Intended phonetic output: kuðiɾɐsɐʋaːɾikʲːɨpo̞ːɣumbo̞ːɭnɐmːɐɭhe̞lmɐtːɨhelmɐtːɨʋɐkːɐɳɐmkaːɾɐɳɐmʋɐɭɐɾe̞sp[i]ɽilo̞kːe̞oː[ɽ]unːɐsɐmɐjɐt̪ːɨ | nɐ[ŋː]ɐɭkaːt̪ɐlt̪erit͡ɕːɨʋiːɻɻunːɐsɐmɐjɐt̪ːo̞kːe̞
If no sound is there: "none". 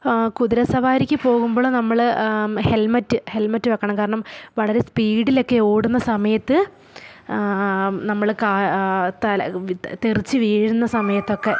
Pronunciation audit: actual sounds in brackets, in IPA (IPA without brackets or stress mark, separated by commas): iː, ɽ, mː